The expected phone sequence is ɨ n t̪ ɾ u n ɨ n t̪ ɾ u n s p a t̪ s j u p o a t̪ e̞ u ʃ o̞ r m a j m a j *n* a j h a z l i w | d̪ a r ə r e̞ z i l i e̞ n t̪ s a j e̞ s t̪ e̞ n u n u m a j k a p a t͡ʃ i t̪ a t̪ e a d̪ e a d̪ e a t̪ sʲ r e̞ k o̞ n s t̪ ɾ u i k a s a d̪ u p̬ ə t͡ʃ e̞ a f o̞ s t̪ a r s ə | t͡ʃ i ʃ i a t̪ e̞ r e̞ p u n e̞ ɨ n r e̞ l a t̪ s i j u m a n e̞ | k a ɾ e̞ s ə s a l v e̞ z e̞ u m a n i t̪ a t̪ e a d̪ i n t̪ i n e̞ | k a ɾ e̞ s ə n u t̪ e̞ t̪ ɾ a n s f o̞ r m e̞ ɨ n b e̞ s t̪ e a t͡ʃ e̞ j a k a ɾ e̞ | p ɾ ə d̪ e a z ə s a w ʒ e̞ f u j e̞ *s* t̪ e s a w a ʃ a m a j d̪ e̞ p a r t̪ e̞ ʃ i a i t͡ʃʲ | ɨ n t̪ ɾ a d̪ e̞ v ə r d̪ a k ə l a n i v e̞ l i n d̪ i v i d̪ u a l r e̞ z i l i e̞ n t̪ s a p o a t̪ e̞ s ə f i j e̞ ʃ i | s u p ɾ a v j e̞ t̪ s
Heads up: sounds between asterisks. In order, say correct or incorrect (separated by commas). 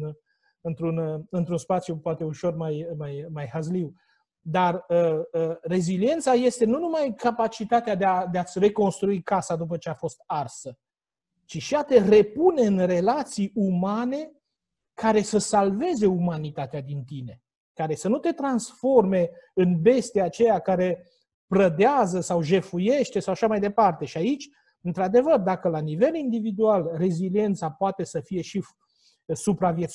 incorrect, incorrect